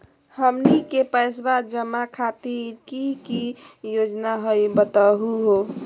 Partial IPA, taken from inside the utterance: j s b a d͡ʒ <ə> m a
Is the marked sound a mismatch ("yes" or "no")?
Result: no